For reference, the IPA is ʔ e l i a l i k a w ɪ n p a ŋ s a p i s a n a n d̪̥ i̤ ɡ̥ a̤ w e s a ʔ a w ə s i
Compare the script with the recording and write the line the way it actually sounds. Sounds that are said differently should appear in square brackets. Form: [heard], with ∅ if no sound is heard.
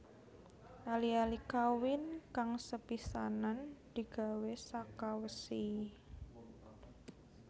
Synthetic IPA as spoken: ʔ [a] l i a l i k a w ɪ n [k] a ŋ s [ə] p i s a n a n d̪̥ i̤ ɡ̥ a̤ w e s a [k] a w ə s i